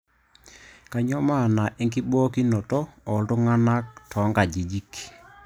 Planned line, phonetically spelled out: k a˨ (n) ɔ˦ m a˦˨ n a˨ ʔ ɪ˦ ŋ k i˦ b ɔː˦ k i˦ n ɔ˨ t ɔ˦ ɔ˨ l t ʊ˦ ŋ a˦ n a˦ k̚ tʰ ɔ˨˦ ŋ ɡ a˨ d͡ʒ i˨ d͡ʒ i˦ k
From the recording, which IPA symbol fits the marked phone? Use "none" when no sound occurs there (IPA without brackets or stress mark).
ɲ